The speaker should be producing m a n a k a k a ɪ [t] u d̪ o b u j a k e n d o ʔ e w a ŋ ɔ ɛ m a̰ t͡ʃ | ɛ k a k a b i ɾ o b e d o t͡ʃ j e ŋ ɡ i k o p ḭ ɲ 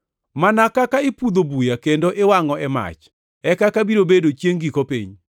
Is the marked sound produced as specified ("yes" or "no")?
no